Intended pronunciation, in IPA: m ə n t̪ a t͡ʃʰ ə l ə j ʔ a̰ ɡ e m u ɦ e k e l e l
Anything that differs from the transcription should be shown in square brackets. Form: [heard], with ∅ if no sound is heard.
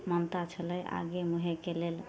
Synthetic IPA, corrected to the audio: m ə n t̪ a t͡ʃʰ ə l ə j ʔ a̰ ɡ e m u ɦ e k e l e l